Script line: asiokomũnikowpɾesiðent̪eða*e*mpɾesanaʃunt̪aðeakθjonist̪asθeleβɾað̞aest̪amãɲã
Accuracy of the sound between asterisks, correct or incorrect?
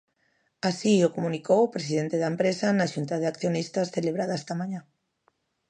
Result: correct